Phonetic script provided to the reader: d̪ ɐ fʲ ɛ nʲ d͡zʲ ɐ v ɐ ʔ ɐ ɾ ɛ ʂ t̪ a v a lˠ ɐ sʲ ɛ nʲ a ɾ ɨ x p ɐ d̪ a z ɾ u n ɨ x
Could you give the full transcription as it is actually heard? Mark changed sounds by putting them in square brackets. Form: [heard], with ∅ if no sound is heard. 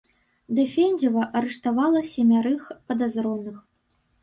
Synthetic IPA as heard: d̪ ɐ fʲ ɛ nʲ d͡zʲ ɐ v ɐ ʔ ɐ ɾ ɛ ʂ t̪ a v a lˠ ɐ sʲ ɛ [mʲ] a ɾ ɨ x p ɐ d̪ a z ɾ [ɔ] n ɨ x